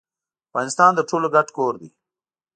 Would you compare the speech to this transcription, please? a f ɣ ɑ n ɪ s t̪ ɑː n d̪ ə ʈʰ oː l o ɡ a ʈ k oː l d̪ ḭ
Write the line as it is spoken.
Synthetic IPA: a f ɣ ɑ n ɪ s t̪ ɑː n d̪ ə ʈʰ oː l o ɡ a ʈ k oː ɾ d̪ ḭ